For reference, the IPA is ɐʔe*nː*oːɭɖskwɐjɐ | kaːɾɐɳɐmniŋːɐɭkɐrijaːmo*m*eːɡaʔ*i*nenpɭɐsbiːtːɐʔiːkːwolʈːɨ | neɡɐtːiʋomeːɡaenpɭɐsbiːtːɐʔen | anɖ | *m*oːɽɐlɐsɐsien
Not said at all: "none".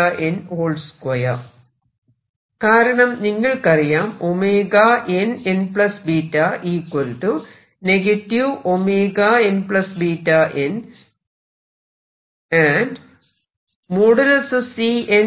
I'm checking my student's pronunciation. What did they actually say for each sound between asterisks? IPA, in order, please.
n, m, e, m

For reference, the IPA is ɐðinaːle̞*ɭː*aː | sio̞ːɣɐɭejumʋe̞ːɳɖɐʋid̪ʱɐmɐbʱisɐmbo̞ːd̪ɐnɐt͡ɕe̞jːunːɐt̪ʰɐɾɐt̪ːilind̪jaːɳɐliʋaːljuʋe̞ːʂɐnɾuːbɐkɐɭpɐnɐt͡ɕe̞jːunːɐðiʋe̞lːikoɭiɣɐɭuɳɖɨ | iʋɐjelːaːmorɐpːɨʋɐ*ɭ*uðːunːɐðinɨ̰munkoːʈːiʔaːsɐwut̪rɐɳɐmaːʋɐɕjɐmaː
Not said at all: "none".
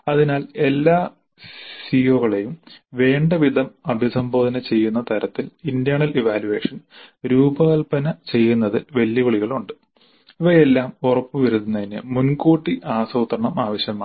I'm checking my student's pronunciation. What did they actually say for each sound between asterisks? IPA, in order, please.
lː, ɾ

